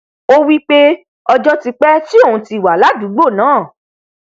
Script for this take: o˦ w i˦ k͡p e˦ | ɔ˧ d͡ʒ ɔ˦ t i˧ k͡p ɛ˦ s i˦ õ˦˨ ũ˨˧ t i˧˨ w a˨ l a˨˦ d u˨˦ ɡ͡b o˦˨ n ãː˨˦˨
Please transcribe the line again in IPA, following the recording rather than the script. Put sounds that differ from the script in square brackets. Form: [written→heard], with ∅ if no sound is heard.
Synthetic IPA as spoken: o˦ w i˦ k͡p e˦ | ɔ˧ d͡ʒ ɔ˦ t i˧ k͡p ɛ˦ [s→t] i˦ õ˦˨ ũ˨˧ t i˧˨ w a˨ l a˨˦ d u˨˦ ɡ͡b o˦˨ n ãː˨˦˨